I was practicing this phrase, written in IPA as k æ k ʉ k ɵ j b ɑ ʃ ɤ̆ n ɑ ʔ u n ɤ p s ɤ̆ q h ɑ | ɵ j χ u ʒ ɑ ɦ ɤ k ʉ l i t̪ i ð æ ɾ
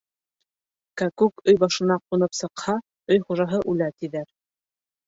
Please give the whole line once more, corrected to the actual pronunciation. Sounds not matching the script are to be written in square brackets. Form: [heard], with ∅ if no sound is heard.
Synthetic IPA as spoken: k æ k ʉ k ɵ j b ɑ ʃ ɤ̆ n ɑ [q] u n ɤ p s ɤ̆ q h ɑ | ɵ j χ u ʒ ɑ ɦ ɤ [ʔ] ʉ l [æ] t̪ i ð æ ɾ